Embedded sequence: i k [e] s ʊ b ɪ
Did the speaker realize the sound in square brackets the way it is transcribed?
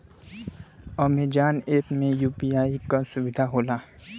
no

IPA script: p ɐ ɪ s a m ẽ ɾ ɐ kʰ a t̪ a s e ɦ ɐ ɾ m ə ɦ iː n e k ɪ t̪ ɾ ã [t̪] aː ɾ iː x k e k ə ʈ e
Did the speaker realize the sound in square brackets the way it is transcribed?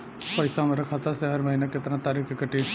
yes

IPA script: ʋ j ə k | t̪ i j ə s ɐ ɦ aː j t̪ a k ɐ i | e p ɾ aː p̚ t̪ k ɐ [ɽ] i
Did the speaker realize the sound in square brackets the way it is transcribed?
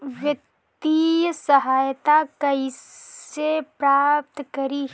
no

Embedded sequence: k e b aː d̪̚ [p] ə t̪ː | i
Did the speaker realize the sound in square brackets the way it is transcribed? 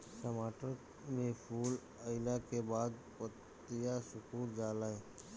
yes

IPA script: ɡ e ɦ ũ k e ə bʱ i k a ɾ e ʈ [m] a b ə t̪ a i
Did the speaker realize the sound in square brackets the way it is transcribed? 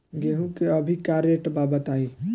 no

